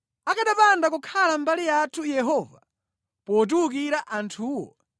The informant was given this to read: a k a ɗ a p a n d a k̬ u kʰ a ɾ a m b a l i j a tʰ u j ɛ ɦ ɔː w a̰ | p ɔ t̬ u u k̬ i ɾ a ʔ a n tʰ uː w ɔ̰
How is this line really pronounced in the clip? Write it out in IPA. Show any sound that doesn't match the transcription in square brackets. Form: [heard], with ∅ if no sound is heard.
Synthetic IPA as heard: a k a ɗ a p a n d a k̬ u kʰ a [l] a m b a l i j a tʰ u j ɛ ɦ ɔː [v] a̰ | p ɔ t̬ u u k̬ i ɾ a ʔ a n tʰ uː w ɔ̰